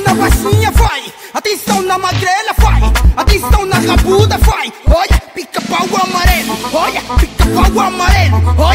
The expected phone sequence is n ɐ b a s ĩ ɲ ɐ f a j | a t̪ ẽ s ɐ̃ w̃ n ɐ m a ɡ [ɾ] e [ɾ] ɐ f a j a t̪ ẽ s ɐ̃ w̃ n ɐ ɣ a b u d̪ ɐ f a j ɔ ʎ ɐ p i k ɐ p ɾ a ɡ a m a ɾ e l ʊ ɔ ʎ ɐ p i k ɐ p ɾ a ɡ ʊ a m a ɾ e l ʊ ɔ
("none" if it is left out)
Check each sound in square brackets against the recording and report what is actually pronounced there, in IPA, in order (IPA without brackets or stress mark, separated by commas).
ɾ, l